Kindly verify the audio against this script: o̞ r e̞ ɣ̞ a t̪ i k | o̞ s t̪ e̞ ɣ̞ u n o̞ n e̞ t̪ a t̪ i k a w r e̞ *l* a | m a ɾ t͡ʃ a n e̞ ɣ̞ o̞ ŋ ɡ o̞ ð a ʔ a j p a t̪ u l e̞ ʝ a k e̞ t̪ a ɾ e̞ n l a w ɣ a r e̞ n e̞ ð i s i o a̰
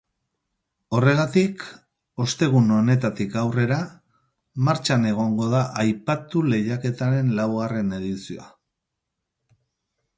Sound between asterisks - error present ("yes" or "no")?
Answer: yes